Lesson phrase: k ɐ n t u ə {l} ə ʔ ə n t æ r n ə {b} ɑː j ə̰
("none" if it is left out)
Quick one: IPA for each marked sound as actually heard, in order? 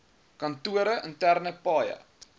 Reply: ɾ, p

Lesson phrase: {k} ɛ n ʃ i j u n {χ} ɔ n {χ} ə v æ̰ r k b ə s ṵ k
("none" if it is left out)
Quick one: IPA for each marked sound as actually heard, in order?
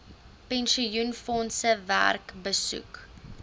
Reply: p, f, s

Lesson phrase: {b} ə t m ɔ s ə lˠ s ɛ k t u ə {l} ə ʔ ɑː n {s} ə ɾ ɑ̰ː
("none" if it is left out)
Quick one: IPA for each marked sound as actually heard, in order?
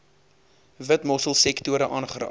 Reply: v, ɾ, χ

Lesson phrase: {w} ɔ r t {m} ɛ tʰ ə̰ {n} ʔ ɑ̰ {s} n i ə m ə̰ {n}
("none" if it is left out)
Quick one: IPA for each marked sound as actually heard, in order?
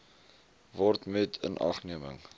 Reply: v, m, n, χ, ŋ

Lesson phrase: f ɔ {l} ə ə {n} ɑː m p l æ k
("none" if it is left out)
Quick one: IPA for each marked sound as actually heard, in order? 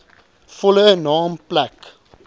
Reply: l, n

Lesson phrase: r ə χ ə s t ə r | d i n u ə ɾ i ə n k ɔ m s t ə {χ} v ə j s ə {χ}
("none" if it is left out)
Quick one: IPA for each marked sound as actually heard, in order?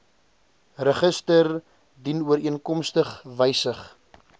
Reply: χ, χ

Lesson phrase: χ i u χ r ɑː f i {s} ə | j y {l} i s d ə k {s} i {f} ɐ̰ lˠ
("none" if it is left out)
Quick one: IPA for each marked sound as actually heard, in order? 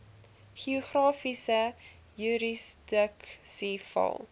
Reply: s, ɾ, s, f

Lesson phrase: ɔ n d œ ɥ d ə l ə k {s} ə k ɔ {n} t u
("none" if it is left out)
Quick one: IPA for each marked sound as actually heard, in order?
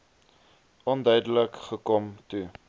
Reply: χ, m

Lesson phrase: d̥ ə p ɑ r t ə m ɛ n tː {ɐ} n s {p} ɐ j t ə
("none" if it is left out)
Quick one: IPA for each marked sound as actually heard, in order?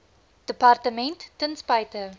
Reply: ə, p

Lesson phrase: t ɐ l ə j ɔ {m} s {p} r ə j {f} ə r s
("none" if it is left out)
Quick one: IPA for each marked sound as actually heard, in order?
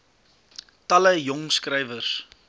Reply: ŋ, k, v

